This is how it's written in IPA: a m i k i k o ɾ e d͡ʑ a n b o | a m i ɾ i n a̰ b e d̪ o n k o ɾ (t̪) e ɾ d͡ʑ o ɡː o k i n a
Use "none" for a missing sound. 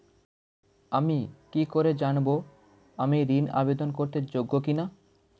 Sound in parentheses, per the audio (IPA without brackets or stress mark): t̪